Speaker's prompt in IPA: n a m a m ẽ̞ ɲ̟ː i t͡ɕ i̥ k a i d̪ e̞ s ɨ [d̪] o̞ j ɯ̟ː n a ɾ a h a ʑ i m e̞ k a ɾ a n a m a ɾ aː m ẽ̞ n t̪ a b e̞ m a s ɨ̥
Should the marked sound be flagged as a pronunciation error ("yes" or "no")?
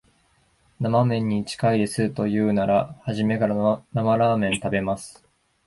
yes